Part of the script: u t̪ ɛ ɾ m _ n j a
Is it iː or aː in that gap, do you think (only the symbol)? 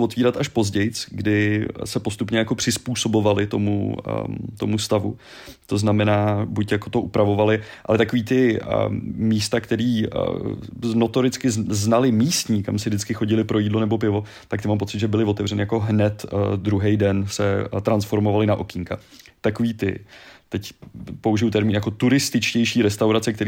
iː